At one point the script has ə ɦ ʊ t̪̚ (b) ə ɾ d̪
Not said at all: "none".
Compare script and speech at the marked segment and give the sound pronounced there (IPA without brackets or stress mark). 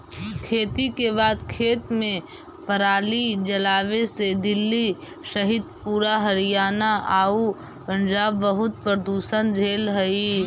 p